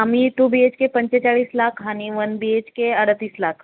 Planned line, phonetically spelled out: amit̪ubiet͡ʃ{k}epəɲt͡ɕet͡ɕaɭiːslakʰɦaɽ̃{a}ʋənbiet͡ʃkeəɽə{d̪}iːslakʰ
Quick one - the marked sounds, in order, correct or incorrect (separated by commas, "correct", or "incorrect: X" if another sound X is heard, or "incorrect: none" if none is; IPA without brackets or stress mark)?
correct, incorrect: i, incorrect: t̪